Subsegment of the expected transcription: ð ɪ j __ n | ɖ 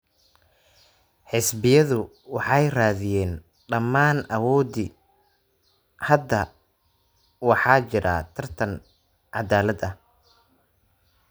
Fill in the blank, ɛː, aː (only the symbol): ɛː